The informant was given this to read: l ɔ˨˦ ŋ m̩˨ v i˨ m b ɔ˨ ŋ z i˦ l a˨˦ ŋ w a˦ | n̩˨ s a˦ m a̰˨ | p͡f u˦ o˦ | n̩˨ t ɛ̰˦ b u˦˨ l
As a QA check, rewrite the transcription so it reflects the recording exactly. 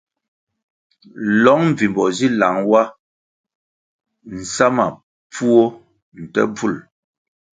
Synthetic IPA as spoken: l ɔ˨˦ ŋ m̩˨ v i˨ m b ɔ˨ z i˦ l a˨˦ ŋ w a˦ | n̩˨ s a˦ m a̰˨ | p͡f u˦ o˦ | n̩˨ t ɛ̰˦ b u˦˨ l